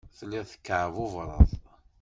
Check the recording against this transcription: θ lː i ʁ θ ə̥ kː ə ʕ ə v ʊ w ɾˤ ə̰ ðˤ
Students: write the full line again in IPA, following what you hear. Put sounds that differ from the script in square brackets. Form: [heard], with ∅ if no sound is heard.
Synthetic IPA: θ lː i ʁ θ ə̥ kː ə ʕ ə v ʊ [v] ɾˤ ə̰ ðˤ